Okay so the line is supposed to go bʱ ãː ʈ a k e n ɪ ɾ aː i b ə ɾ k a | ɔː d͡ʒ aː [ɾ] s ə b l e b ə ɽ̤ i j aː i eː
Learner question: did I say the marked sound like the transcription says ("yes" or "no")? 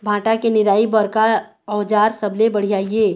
yes